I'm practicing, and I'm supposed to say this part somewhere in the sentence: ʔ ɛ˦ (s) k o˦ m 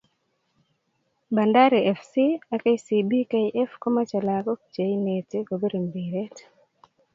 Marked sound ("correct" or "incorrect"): incorrect